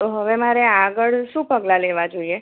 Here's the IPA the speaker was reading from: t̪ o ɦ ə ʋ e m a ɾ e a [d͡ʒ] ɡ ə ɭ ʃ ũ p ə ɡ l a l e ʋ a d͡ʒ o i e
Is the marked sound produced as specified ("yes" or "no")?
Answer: no